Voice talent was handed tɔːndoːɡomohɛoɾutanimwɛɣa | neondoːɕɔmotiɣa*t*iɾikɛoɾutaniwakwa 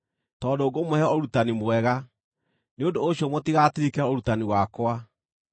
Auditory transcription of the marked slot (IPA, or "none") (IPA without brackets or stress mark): t